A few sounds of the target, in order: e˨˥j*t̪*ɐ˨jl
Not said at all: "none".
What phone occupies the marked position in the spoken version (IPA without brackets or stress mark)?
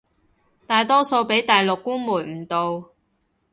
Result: t̪